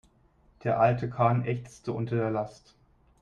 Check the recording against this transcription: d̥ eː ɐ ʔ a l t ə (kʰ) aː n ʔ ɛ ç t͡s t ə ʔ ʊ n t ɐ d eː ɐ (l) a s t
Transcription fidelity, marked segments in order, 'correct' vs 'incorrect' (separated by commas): correct, correct